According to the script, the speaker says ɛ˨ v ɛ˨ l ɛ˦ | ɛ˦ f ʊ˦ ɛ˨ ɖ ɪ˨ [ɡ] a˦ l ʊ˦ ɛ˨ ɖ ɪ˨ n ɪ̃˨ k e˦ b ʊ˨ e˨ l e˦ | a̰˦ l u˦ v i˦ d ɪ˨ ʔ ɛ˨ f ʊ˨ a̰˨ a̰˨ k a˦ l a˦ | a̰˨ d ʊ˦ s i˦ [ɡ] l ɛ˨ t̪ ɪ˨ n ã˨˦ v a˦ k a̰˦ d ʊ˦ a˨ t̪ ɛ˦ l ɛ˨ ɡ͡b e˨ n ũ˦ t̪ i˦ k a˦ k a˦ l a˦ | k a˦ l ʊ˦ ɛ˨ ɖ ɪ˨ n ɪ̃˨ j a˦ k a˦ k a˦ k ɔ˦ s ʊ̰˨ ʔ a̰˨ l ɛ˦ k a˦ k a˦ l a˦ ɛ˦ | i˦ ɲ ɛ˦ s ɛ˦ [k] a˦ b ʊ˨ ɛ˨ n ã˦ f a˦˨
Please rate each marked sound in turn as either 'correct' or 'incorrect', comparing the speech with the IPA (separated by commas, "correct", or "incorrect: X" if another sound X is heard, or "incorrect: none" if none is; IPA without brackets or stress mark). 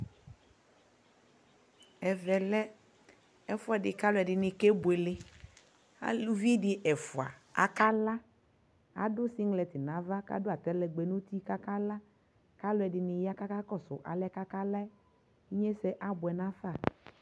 incorrect: k, incorrect: ŋ, incorrect: ʔ